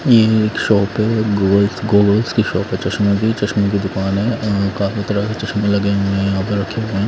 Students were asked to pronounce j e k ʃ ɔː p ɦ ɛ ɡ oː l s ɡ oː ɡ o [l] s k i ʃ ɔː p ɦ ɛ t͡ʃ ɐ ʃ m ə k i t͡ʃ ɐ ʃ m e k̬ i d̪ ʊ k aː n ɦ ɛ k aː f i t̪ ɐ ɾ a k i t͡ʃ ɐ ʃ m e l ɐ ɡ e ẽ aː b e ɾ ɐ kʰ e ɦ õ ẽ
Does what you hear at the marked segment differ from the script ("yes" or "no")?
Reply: no